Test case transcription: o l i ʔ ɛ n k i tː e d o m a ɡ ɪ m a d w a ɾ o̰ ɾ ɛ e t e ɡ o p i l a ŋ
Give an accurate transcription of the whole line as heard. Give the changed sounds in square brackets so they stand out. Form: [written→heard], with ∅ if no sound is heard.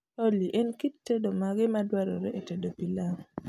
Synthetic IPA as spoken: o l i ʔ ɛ n k i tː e d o m a ɡ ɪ m a d w a ɾ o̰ ɾ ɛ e t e [ɡ→d] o p i l a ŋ